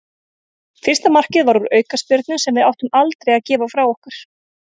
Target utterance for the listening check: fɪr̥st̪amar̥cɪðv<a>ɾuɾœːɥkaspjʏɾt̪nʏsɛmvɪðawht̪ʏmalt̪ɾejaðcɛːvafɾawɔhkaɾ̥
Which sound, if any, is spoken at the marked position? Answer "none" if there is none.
a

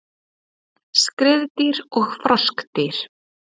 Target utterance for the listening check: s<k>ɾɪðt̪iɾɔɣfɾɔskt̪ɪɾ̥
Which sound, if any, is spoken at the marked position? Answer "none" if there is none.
k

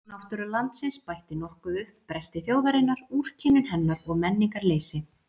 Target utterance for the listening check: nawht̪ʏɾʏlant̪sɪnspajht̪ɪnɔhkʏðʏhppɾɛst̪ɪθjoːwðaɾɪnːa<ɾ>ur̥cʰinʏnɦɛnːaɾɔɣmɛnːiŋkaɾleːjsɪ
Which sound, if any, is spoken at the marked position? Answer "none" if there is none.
ɾ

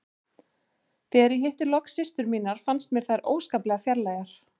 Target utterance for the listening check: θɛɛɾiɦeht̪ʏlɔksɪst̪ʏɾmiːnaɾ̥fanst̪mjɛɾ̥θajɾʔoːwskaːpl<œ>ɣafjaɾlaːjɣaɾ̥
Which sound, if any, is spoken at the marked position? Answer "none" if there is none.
ɛ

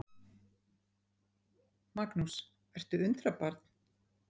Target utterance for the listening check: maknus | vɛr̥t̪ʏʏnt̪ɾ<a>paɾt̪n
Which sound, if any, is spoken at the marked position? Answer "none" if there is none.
a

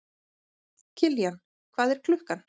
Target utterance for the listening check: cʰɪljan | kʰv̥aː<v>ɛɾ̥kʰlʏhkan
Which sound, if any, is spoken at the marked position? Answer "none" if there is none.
ð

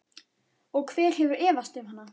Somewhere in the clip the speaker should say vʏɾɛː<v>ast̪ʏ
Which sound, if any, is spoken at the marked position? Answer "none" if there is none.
v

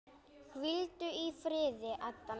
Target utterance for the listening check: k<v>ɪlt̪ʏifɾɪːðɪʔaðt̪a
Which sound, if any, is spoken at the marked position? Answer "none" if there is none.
v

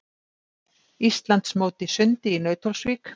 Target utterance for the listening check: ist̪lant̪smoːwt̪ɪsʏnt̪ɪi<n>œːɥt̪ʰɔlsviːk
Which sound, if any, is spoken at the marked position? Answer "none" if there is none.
n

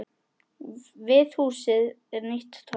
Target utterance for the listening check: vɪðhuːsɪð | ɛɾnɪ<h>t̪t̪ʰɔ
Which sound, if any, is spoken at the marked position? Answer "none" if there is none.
h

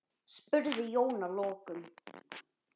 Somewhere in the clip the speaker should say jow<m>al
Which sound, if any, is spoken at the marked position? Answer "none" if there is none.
n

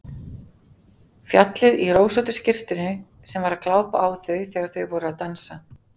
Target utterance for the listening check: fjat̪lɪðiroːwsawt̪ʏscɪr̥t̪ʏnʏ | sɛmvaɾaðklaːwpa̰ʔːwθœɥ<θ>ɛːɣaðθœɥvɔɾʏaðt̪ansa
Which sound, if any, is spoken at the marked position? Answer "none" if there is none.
θ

